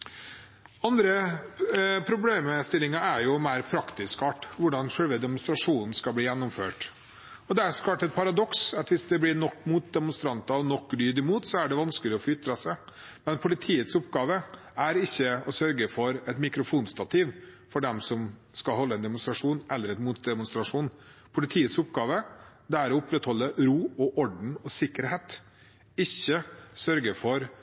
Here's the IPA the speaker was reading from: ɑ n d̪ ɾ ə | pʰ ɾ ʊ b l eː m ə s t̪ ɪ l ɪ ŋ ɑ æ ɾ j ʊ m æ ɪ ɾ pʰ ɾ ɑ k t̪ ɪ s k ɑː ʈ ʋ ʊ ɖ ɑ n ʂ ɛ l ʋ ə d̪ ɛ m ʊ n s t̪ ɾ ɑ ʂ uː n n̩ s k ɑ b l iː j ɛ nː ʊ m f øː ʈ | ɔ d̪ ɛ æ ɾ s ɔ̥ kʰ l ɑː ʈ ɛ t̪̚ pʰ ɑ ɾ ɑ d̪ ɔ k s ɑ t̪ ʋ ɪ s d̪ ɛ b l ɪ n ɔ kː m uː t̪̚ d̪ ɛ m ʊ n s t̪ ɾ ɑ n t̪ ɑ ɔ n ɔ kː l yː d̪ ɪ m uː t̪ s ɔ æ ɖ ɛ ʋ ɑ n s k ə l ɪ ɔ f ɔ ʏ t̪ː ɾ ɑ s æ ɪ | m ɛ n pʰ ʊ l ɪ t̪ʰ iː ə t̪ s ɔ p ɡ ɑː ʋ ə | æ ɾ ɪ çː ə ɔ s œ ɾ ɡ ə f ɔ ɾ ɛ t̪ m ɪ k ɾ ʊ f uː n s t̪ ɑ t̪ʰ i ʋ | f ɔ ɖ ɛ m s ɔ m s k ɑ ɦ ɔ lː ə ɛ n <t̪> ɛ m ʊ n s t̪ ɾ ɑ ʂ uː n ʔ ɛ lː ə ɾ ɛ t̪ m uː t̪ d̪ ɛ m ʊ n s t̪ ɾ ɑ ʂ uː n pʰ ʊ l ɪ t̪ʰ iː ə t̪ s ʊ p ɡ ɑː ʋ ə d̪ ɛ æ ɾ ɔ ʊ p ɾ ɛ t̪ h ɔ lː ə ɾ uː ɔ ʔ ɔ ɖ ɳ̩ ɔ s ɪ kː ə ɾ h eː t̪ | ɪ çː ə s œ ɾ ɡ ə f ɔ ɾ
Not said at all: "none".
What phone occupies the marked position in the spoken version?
d̪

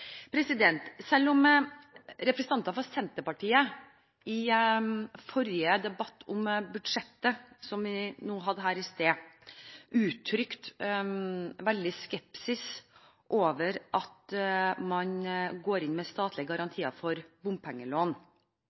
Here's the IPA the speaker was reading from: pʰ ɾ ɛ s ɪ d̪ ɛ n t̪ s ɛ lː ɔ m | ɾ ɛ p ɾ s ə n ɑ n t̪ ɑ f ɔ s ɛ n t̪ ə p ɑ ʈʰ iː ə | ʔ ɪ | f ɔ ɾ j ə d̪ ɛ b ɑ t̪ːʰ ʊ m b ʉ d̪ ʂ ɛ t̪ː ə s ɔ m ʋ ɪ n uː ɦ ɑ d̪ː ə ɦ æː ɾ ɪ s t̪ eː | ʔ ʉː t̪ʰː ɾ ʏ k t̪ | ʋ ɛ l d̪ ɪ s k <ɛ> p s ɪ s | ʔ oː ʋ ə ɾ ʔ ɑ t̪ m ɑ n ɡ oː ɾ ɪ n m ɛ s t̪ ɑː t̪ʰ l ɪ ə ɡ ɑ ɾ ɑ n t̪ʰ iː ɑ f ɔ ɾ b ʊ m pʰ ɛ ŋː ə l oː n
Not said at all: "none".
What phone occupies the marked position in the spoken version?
ɛ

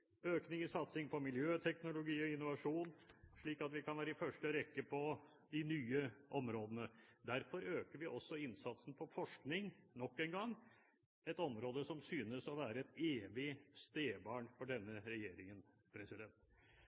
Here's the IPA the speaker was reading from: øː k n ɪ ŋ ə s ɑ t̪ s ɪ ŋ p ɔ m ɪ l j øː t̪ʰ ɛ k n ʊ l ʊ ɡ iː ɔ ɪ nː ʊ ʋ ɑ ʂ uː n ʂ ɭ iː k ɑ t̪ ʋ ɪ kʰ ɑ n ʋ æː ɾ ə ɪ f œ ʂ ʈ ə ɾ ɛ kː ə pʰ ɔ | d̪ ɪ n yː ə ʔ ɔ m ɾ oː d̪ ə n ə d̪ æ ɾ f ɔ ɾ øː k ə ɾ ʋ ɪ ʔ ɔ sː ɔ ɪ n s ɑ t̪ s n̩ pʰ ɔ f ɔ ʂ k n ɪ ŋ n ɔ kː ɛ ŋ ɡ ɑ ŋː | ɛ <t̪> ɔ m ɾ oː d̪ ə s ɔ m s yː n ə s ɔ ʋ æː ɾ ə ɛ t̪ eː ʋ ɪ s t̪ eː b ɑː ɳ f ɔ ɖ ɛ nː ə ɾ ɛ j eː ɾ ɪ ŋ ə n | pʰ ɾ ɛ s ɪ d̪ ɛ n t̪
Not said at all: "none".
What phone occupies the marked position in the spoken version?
t̪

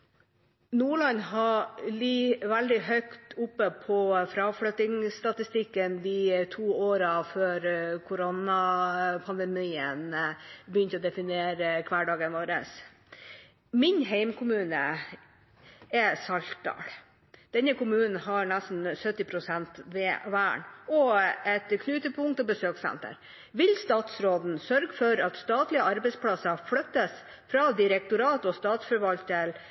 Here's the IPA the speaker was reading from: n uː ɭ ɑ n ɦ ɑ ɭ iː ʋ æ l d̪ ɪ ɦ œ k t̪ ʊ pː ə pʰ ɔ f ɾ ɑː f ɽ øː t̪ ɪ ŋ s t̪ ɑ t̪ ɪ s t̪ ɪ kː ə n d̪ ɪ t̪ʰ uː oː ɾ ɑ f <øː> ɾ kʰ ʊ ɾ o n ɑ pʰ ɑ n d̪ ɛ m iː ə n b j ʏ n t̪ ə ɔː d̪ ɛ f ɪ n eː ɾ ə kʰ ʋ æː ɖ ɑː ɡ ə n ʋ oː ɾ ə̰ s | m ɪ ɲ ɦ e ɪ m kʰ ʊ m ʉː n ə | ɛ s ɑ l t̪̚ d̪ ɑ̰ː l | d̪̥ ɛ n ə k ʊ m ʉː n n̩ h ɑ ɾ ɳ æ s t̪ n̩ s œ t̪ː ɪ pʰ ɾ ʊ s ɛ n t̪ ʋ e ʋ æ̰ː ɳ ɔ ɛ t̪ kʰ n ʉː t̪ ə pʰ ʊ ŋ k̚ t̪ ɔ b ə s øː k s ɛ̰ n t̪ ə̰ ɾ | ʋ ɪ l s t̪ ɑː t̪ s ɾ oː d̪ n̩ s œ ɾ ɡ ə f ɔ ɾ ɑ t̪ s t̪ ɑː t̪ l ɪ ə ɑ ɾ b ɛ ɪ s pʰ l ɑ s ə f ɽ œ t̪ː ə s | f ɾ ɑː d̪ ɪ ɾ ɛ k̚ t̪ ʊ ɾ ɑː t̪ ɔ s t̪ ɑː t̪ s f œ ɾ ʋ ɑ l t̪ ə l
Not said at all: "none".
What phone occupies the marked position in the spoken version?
øː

